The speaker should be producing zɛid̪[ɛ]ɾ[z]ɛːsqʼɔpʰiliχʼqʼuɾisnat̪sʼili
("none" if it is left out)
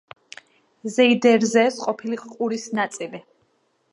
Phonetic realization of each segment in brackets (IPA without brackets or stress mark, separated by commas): ɛ, z